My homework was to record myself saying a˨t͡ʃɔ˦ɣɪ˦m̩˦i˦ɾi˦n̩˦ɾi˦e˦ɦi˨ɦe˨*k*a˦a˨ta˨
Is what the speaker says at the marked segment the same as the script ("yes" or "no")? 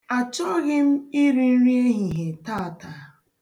no